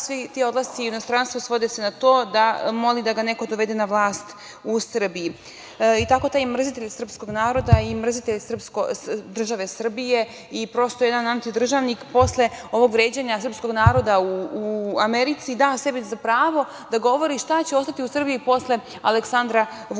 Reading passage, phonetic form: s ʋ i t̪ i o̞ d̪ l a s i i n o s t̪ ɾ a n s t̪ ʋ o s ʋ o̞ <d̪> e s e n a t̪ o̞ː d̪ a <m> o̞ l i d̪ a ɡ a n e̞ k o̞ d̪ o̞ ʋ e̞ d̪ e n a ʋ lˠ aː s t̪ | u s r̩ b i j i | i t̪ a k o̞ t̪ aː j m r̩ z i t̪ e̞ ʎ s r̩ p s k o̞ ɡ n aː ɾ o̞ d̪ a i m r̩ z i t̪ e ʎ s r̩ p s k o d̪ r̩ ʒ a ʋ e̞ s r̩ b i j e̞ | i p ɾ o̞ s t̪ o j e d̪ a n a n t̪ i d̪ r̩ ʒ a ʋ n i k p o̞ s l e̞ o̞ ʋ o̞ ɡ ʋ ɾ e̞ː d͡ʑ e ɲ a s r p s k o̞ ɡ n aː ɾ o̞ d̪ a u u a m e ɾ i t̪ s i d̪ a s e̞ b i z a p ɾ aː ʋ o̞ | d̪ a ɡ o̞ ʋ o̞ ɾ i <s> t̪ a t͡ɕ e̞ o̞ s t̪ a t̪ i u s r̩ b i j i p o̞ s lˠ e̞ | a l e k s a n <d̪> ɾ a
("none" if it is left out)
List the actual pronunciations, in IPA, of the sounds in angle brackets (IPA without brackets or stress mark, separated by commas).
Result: d̪, m, ʃ, d̪